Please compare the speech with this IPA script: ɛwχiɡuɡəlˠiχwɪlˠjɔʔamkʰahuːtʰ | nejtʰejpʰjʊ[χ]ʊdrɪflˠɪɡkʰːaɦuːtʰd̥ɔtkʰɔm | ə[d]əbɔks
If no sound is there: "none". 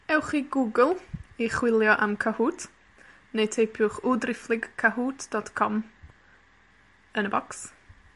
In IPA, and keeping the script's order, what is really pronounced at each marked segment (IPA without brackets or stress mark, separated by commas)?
χ, n